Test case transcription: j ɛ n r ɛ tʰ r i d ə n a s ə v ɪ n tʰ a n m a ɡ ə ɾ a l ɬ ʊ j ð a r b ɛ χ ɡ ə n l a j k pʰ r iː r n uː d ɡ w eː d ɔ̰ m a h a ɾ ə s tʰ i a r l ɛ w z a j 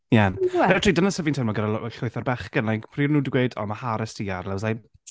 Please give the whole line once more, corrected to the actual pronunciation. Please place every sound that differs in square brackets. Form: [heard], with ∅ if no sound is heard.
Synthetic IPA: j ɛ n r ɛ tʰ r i d ə n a s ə v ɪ n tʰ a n m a ɡ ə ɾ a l ɬ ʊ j [θ] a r b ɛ χ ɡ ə n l a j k pʰ r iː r n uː d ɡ w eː d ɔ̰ m a h a ɾ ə s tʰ i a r l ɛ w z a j